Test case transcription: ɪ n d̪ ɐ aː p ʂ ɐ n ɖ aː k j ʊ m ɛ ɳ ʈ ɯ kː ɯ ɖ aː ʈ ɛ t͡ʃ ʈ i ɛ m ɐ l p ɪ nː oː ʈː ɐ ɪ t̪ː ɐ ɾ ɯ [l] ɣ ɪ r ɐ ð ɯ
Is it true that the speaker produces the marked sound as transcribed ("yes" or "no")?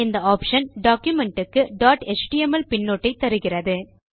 no